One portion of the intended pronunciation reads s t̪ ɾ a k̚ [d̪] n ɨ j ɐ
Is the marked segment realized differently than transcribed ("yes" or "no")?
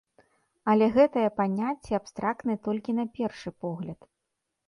yes